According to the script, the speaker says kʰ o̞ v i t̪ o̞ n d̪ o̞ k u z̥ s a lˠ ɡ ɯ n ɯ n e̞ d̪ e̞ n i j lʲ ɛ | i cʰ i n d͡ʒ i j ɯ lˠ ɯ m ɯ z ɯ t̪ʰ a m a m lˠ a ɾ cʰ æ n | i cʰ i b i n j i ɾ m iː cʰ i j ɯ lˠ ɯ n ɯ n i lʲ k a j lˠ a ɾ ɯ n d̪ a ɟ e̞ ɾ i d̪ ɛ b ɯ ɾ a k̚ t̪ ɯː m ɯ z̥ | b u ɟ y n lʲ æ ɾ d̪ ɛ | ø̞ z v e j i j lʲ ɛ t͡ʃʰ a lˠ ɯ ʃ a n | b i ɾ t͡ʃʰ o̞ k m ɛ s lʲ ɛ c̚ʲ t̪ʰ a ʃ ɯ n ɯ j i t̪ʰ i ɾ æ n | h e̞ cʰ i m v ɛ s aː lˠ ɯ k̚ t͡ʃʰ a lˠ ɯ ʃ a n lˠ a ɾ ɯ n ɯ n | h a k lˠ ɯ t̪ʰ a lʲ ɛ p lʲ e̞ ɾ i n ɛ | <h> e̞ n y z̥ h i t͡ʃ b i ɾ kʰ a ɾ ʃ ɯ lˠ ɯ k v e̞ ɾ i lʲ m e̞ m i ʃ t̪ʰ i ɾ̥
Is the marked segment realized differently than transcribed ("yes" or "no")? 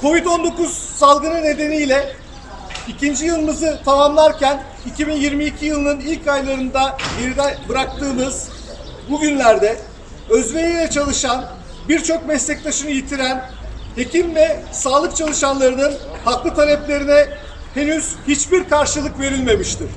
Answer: no